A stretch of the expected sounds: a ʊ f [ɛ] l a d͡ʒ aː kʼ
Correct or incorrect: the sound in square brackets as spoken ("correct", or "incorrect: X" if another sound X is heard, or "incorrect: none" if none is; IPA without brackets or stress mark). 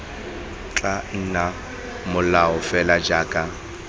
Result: correct